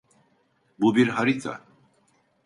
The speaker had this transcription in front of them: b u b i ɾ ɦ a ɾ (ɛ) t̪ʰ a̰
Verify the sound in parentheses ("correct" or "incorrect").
incorrect